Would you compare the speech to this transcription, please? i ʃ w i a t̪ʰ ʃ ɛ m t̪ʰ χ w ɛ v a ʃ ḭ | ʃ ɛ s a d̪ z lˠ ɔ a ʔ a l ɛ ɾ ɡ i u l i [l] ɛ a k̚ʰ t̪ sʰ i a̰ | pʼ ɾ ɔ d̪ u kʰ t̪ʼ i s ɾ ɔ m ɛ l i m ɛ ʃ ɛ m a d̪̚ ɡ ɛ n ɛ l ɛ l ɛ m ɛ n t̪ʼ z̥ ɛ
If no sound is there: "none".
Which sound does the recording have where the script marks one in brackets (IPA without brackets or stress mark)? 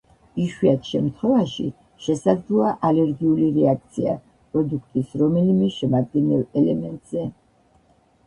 ɾ